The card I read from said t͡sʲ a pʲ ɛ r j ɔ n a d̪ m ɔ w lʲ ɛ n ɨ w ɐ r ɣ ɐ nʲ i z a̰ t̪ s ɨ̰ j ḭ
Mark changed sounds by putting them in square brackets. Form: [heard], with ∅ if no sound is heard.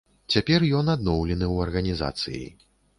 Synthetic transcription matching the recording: t͡sʲ a pʲ ɛ r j ɔ n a d̪ [n] ɔ w lʲ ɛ n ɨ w ɐ r ɣ ɐ nʲ i z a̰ t̪ s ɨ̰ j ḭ